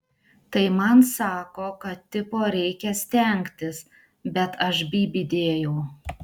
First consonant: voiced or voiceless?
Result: voiceless